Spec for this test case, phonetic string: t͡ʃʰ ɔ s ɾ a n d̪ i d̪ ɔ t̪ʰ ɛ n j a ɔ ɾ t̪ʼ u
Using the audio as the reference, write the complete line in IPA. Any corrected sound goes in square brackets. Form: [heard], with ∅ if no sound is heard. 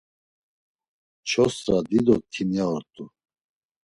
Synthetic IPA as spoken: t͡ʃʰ ɔ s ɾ a [∅] d̪ i d̪ ɔ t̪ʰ [i] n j a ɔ ɾ t̪ʼ u